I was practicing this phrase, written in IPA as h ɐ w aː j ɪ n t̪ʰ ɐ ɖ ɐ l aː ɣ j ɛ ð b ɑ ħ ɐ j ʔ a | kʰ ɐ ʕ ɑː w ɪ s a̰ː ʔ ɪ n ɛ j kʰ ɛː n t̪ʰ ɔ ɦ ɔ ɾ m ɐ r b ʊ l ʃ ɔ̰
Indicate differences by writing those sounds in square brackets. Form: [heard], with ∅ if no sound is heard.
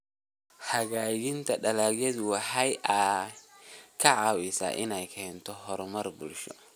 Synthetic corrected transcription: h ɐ [ɣ] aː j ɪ n t̪ʰ ɐ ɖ ɐ l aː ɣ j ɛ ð [w] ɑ ħ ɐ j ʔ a | kʰ ɐ ʕ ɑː w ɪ s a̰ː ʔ ɪ n ɛ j kʰ ɛː n t̪ʰ ɔ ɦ ɔ ɾ m ɐ r b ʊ l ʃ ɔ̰